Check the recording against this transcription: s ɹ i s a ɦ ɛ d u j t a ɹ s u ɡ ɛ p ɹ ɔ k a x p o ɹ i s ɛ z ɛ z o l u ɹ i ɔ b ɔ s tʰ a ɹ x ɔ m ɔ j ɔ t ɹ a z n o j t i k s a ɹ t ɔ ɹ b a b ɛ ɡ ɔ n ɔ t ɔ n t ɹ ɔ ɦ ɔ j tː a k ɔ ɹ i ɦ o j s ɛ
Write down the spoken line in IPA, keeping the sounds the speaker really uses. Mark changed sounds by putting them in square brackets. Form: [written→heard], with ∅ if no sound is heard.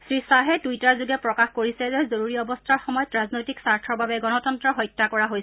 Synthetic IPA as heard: s ɹ i s a ɦ ɛ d u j t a ɹ [s→z] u ɡ ɛ p ɹ ɔ k a x [p→k] o ɹ i s ɛ z ɛ z o [l→ɹ] u ɹ i ɔ b ɔ s tʰ a ɹ x ɔ m ɔ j ɔ t ɹ a z n o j t i k s a ɹ [t→tʰ] ɔ ɹ b a b ɛ ɡ ɔ n ɔ t ɔ n t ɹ ɔ ɦ ɔ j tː a k ɔ ɹ [i→a] ɦ o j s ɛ